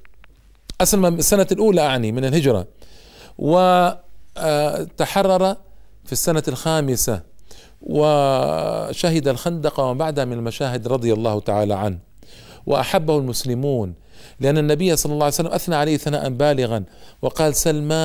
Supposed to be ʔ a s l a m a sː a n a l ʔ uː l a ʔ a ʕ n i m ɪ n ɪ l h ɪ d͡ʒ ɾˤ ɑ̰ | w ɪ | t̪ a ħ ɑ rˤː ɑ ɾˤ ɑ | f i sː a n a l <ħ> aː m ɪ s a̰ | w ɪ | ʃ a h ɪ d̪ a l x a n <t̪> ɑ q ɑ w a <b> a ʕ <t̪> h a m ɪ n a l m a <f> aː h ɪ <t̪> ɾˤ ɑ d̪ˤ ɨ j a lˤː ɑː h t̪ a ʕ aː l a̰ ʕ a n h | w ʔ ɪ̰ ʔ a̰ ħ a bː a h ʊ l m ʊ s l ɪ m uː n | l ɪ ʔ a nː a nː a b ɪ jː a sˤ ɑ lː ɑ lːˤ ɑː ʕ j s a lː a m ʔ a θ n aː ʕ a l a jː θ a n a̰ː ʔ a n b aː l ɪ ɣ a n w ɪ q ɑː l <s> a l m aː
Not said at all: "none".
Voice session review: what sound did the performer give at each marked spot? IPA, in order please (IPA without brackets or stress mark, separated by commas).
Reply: x, d̪, b, d̪, ʃ, d̪, s